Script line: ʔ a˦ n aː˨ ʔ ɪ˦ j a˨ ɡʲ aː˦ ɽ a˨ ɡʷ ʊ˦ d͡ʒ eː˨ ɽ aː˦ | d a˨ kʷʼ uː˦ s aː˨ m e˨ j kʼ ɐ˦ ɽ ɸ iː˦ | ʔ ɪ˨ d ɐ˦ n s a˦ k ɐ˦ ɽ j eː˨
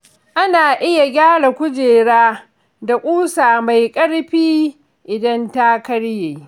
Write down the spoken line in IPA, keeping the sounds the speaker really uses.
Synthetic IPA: ʔ a˦ n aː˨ ʔ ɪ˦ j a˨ ɡʲ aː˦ ɽ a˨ kʷ ʊ˦ d͡ʒ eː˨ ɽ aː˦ | d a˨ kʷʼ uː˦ s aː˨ m a˨ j kʼ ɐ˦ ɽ ɸ iː˦ | ʔ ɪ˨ d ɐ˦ n t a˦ k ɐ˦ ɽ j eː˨